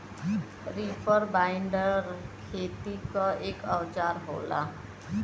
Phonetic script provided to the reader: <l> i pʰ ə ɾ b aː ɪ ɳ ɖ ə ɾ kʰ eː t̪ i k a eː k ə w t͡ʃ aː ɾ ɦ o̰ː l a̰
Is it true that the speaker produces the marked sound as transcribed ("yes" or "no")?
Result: no